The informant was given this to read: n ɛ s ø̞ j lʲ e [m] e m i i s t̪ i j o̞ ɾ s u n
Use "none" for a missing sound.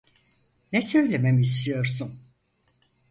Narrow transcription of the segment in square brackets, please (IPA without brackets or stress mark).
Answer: m